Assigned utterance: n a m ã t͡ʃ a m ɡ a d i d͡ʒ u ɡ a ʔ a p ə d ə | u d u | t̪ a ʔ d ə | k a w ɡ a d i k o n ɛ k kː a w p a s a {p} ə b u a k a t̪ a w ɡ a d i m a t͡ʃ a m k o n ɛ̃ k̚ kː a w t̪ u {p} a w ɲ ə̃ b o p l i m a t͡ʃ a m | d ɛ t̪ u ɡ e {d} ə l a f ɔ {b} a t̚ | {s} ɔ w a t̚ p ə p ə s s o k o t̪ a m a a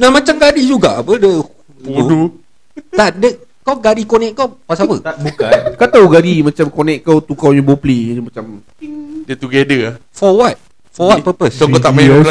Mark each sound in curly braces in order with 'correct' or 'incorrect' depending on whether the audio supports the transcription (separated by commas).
correct, incorrect, correct, incorrect, incorrect